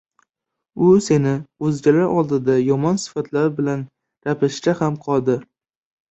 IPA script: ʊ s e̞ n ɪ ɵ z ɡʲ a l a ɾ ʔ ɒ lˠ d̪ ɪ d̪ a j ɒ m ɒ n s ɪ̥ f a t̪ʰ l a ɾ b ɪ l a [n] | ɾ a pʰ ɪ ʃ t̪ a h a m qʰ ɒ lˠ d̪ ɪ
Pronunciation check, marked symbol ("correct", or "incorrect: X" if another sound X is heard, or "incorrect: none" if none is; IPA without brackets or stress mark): correct